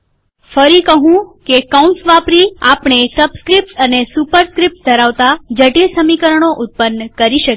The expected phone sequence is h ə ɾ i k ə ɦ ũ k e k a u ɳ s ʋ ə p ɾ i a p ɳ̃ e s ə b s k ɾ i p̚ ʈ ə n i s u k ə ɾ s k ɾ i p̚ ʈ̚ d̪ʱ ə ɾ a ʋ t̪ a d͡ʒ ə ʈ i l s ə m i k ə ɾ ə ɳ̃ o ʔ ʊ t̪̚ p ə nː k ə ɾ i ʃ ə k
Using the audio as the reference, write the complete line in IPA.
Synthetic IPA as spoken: f ə ɾ i k ə ɦ ũ k e k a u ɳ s ʋ a p ɾ i a p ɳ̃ e s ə b s k ɾ i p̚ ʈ ə n e s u p ə ɾ s k ɾ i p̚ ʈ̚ d̪ʱ ə ɾ a ʋ t̪ a d͡ʒ ə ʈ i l s ə m i k ə ɾ ə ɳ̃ o ʔ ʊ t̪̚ p ə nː k ə ɾ i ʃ ə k